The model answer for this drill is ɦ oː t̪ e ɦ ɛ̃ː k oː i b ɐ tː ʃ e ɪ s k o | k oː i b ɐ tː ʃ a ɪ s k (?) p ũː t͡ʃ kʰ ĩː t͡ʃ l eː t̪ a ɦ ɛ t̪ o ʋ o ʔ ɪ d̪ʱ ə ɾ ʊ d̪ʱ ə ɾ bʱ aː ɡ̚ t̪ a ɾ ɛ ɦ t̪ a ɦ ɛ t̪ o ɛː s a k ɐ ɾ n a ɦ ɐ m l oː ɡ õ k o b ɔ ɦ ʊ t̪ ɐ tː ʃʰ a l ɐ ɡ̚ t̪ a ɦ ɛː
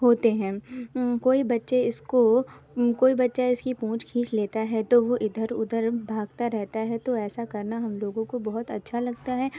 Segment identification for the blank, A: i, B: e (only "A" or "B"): A